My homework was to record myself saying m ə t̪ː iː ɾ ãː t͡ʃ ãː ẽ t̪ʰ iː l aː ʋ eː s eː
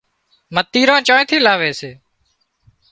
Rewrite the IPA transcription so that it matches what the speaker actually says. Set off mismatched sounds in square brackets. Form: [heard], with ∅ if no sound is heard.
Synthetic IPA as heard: m ə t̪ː iː ɾ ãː t͡ʃ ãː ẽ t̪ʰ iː l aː ʋ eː s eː

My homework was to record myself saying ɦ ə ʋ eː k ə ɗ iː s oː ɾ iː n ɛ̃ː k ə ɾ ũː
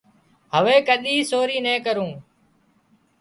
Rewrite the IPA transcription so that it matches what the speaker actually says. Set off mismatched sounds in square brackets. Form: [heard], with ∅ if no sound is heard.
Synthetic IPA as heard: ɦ ə ʋ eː k ə ɗ iː s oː ɾ iː n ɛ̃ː k ə ɾ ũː

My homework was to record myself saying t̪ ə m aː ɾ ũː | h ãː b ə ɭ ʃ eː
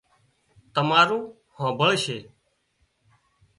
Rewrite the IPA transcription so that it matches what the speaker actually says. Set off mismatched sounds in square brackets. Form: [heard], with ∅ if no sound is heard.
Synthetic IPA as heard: t̪ ə m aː ɾ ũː | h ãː b ə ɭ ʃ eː

